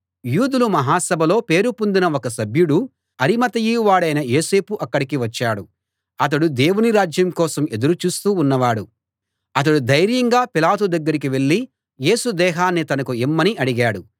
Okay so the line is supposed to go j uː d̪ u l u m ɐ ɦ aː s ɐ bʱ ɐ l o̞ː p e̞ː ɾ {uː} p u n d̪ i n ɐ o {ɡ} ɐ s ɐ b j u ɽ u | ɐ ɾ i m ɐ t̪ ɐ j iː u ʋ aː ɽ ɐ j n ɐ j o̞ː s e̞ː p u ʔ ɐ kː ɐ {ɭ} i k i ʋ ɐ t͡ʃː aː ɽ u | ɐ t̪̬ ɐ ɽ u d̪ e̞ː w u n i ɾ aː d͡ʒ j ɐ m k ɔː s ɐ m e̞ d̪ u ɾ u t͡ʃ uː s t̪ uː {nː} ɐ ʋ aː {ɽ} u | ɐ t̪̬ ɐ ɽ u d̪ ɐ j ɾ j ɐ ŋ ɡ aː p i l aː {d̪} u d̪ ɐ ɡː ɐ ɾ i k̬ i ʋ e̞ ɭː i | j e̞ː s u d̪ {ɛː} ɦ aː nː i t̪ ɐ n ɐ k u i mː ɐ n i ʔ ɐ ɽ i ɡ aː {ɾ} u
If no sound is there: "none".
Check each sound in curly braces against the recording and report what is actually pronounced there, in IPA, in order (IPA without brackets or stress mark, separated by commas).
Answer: u, k, ɽ, nː, ɽ, t̪, ɛː, ɽ